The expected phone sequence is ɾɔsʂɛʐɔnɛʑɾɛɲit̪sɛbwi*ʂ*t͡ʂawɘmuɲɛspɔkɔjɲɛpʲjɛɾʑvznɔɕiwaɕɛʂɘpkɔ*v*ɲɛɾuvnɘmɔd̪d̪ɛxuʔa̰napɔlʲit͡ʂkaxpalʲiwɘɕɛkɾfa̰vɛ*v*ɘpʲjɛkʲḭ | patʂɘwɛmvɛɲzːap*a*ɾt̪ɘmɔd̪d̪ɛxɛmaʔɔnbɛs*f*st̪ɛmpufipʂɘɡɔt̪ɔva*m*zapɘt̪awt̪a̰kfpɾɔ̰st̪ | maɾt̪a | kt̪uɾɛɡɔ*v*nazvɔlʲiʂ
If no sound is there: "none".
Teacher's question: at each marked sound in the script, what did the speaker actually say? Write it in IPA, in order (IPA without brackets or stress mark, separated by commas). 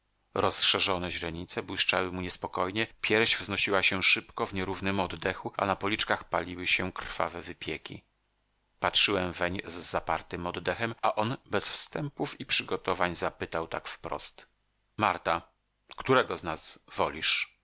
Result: ʂ, v, v, a, f, ɲ, z